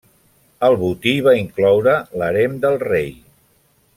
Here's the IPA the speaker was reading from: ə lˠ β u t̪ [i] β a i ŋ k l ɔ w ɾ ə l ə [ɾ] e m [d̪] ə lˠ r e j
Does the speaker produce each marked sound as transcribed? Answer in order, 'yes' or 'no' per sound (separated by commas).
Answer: yes, yes, yes